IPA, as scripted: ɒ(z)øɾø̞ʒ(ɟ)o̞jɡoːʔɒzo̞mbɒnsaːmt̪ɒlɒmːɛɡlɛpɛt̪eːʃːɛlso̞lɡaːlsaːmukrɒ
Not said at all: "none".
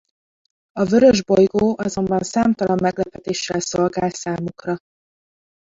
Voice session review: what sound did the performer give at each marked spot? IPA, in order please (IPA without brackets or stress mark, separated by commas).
v, b